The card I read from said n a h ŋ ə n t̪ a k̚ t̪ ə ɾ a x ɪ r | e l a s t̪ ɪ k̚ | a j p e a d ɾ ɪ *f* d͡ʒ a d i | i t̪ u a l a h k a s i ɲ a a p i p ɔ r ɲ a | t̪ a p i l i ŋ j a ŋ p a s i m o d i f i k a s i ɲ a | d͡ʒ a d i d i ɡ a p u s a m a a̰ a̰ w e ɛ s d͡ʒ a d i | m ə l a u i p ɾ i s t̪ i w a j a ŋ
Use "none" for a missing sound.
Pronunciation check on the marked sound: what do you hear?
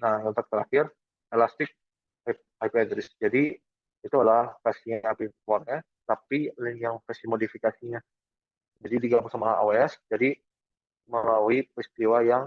s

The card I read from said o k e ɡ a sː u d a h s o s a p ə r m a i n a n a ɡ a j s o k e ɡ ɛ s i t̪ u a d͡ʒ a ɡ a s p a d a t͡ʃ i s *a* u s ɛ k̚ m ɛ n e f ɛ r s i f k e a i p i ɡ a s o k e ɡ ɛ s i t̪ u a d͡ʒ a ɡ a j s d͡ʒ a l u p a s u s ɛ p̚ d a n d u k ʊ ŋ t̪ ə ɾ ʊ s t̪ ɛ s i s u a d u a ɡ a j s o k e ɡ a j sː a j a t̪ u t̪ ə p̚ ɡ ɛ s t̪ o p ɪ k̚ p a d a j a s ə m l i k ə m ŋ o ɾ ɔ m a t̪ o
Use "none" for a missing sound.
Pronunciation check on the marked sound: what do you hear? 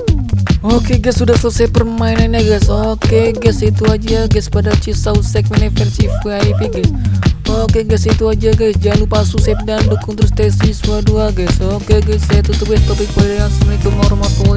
a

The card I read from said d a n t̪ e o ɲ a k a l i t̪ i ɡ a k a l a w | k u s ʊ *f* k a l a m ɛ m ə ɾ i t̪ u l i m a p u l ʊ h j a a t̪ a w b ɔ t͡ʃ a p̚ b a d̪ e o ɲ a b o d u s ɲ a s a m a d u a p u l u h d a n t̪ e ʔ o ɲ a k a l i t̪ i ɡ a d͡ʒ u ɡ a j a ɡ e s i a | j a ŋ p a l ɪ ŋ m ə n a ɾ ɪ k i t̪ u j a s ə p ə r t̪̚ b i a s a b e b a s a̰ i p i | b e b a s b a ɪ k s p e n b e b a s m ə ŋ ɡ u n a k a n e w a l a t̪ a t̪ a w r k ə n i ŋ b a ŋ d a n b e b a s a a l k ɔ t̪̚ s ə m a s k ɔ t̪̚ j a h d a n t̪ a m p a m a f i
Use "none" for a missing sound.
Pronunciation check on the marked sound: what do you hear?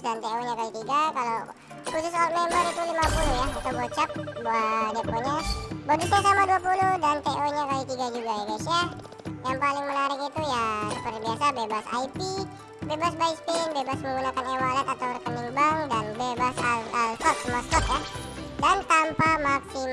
s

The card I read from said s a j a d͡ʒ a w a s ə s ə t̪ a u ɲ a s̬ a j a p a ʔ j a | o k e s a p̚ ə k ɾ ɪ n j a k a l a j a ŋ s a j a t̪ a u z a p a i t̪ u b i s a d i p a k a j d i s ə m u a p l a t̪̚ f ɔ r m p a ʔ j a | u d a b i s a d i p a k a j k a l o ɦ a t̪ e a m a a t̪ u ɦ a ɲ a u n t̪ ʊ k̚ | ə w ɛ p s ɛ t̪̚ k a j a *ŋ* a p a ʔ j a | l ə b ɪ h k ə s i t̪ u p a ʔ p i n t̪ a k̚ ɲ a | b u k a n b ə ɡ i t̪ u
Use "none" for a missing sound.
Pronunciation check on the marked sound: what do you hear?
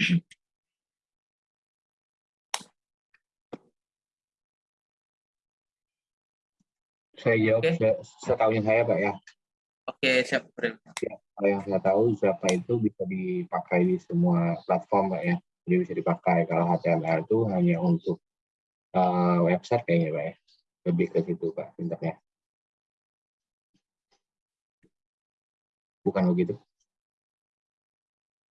ɲ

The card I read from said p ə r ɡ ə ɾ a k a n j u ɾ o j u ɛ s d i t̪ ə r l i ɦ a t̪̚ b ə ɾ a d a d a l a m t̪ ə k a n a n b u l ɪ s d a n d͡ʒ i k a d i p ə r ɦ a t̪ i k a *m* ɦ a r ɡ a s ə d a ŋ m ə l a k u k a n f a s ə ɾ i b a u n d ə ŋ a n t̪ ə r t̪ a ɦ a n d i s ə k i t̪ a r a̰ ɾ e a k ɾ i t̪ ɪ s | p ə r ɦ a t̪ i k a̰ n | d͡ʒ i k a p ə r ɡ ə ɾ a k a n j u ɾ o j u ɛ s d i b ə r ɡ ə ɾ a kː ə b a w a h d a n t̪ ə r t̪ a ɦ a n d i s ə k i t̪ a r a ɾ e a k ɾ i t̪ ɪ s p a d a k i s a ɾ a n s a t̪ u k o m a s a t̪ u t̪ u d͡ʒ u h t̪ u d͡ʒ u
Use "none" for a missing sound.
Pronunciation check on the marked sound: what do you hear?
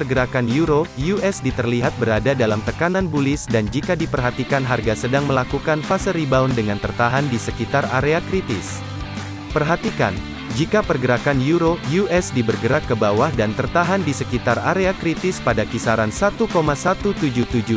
n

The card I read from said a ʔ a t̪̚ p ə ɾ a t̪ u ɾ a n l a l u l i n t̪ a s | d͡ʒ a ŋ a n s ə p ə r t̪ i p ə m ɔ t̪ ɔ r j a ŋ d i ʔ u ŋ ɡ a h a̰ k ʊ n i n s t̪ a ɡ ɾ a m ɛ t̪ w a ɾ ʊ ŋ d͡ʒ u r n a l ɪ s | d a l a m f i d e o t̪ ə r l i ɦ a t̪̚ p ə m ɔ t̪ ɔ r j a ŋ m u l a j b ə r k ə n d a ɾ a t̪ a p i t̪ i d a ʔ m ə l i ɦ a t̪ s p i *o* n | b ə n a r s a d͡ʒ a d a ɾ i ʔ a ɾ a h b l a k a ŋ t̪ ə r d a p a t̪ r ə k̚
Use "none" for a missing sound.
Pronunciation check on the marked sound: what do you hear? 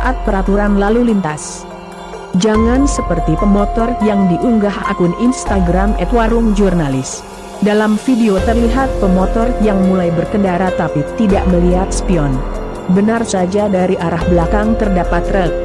ɔ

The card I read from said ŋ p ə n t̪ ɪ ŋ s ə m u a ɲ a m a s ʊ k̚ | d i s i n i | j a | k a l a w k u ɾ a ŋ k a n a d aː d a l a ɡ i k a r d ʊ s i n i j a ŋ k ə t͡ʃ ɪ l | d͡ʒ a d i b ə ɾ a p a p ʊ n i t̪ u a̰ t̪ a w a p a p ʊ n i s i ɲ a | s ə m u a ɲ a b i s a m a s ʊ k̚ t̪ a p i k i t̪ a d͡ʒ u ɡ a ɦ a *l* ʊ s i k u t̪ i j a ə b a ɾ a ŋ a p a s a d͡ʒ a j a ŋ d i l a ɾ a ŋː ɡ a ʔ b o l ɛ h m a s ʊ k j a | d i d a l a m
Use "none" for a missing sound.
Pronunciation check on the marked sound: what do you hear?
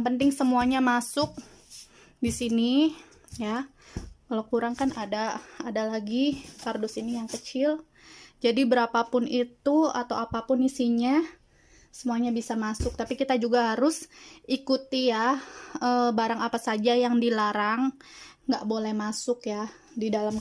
ɾ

